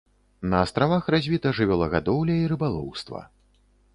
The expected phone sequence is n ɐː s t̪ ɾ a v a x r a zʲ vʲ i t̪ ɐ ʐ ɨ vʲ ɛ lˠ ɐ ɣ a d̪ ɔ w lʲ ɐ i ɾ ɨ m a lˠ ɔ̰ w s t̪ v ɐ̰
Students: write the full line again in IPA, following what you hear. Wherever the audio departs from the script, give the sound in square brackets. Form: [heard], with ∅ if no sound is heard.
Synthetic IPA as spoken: n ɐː s t̪ ɾ a v a x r a zʲ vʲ i t̪ ɐ ʐ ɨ vʲ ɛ lˠ ɐ ɣ a d̪ ɔ w lʲ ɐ i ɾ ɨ [b] a lˠ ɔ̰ w s t̪ v ɐ̰